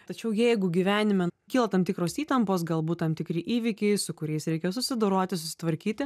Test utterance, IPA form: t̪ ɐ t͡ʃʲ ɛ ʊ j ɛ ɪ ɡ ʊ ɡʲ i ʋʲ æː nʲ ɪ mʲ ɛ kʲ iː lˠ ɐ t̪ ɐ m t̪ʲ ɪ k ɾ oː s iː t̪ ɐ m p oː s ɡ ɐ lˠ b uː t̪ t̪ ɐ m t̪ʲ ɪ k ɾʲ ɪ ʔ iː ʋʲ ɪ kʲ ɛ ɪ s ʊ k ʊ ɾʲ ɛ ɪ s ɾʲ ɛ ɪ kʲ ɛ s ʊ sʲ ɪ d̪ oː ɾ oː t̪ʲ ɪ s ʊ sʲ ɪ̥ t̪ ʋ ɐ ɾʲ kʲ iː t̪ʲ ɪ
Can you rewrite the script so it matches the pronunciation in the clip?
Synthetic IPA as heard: t̪ ɐ t͡ʃʲ ɛ ʊ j ɛ ɪ ɡ ʊ ɡʲ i ʋʲ æː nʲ ɪ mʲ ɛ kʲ iː lˠ ɐ t̪ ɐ m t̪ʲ ɪ k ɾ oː s iː t̪ ɐ m p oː s ɡ ɐ lˠ b uː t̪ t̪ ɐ m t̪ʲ ɪ k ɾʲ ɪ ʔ iː ʋʲ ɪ kʲ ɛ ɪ s ʊ k ʊ ɾʲ ɛ ɪ s ɾʲ ɛ ɪ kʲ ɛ s ʊ sʲ ɪ d̪ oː ɾ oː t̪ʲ ɪ s ʊ sʲ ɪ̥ t̪ ʋ ɐ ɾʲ kʲ iː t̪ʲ ɪ